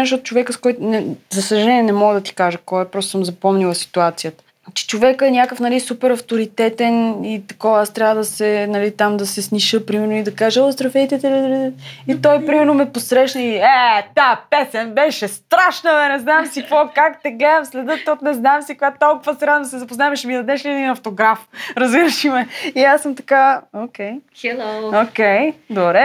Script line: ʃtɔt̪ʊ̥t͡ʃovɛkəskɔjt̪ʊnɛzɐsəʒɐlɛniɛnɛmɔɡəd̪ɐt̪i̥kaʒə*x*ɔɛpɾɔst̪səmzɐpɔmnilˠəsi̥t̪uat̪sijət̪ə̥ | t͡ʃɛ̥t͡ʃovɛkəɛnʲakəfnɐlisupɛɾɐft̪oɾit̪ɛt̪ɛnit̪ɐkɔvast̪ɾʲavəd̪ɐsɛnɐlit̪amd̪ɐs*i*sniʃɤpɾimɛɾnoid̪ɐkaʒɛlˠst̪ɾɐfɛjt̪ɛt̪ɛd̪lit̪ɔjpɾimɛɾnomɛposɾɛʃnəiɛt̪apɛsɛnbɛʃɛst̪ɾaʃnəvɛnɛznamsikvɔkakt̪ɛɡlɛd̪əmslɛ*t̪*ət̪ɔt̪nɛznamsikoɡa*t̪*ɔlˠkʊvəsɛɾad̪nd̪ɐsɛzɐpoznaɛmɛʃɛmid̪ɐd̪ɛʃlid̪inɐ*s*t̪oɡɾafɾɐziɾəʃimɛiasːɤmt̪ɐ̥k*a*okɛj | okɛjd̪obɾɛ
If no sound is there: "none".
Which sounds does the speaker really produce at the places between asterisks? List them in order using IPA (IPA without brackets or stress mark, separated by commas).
k, ɛ, d̪, t̪, f, a